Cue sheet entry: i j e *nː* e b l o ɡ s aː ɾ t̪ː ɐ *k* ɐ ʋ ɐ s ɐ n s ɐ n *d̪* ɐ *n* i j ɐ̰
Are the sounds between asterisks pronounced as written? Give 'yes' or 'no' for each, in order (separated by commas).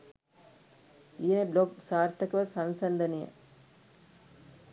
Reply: no, yes, yes, yes